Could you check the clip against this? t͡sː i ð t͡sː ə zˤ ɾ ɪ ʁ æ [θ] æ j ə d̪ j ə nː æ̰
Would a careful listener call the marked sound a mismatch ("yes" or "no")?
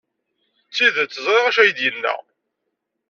yes